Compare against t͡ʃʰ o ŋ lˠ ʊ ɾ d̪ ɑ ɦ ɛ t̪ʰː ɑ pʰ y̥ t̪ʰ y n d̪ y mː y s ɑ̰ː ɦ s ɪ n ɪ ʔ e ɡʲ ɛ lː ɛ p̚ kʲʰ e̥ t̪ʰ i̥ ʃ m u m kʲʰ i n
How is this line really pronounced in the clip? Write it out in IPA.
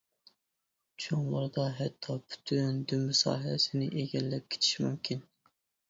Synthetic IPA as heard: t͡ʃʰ o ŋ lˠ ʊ ɾ d̪ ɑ ɦ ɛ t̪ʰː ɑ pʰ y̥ t̪ʰ y n d̪ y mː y s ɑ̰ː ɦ s ɪ n ɪ ʔ e ɡʲ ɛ lː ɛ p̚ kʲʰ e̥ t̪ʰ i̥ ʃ m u m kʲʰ i n